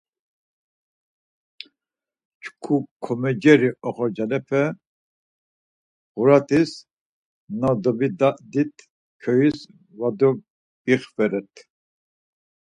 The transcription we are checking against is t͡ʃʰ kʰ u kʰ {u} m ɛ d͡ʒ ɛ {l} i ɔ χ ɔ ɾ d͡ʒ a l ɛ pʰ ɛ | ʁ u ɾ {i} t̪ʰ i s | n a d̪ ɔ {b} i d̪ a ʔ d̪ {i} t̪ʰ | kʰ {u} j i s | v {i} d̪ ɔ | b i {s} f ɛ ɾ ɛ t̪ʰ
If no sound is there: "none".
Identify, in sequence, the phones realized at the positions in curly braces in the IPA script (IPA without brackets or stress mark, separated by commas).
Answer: ɔ, ɾ, a, b, i, ɔ, a, χ